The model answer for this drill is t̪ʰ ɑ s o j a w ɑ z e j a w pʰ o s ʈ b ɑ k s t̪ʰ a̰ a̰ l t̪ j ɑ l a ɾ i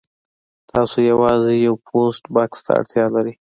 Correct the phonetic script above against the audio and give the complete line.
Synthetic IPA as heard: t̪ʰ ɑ s o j a w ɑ z e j a w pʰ o s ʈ b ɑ k s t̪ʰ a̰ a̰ ɽ t̪ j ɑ l a ɾ i